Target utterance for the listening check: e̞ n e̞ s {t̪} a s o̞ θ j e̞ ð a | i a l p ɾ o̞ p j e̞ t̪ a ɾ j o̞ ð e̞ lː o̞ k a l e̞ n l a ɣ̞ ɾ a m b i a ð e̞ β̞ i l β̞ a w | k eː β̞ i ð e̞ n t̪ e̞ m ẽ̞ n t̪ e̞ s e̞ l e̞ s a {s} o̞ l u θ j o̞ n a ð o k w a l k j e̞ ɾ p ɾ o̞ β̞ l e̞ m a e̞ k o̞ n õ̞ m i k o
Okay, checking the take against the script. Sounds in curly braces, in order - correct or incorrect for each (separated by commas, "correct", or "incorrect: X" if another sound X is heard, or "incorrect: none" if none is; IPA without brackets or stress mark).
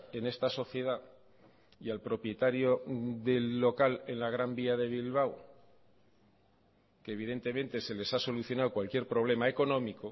correct, correct